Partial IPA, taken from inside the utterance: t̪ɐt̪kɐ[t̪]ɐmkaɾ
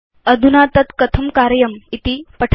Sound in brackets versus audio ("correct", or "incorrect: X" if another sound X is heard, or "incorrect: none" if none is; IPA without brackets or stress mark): incorrect: t̪ʰ